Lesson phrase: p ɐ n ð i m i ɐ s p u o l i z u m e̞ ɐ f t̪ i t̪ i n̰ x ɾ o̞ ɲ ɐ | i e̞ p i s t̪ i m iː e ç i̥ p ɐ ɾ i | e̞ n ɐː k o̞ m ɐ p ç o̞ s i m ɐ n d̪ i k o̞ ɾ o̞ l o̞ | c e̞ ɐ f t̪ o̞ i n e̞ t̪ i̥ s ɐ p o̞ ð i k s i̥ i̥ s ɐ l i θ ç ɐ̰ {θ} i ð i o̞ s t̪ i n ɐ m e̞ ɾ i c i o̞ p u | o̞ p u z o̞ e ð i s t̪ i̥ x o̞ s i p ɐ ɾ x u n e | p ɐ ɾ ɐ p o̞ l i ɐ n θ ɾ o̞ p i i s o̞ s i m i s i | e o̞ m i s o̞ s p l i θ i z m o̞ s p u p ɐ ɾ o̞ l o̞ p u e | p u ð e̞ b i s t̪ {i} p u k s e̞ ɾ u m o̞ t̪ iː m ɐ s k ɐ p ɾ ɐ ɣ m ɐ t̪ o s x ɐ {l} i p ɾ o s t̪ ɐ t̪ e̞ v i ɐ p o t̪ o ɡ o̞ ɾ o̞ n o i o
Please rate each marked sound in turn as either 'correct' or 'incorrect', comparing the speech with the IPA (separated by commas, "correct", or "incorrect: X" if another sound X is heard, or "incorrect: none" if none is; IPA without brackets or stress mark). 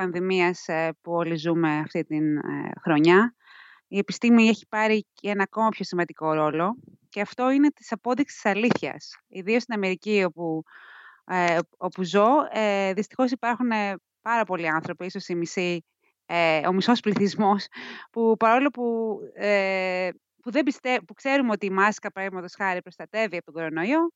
incorrect: s, incorrect: e, incorrect: ɾ